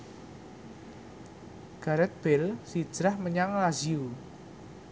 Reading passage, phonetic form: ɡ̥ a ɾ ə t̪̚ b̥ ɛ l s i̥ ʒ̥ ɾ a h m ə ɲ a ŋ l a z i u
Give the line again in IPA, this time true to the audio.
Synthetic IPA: ɡ̥ a ɾ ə t̪̚ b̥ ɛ l s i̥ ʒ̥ ɾ a h m ə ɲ a ŋ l a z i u